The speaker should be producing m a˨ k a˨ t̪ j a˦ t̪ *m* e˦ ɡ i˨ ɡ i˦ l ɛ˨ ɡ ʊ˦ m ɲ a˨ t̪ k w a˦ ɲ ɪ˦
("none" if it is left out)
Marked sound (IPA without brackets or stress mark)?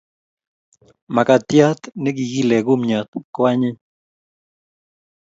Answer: n